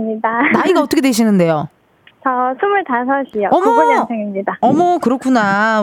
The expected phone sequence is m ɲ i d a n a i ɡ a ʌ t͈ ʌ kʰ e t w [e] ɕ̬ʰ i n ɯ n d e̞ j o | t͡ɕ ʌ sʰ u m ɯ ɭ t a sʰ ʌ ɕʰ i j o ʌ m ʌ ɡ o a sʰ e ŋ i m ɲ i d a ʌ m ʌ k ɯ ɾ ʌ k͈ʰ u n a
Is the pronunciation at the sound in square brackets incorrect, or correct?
correct